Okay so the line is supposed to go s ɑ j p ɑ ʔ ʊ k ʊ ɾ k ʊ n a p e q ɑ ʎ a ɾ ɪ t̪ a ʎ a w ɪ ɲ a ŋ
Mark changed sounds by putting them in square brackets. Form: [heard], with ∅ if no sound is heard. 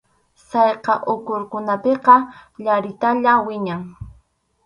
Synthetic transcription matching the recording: s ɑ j [q] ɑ ʔ ʊ k ʊ ɾ k ʊ n a p e q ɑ ʎ a ɾ ɪ t̪ a ʎ a w ɪ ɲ a ŋ